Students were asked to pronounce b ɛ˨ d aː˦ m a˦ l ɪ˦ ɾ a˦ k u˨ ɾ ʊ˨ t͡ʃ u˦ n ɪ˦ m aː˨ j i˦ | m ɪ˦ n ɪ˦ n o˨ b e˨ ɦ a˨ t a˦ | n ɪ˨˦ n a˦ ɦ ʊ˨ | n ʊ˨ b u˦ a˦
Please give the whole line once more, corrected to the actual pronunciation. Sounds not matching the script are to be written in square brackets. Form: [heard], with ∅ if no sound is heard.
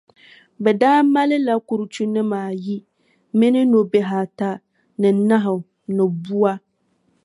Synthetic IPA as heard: b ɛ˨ d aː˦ m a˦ l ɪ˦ [l] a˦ k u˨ ɾ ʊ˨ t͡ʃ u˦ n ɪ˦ m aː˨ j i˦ | m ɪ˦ n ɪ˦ n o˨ b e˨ ɦ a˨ t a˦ | n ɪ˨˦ n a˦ ɦ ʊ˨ | n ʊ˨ b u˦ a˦